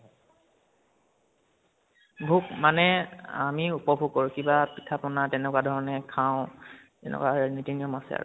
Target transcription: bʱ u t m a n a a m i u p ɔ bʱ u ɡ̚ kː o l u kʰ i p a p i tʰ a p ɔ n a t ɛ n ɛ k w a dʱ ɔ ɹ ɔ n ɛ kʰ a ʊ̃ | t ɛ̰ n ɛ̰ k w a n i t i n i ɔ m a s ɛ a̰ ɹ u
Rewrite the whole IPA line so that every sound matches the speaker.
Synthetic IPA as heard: bʱ u k m a n ɛ a m i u p ɔ bʱ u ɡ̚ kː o ɹ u k i b a p i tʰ a p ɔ n a t ɛ n ɛ k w a dʱ ɔ ɹ ɔ n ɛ kʰ a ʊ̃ | t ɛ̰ n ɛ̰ k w a n i t i n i ɔ m a s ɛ a̰ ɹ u